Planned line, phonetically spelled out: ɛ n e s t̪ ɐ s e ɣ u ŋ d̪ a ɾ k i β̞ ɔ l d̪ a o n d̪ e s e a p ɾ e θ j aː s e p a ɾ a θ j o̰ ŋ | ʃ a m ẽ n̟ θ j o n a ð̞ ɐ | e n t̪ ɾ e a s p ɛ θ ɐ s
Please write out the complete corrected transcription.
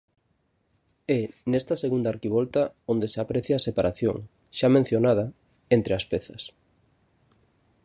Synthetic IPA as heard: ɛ n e s t̪ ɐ s e ɣ u n d̪ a ɾ k i β̞ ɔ l t̪ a o n d̪ e s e a p ɾ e θ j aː s e p a ɾ a θ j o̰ ŋ | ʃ a m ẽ n̟ θ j o n a ð̞ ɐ | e n t̪ ɾ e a s p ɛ θ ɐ s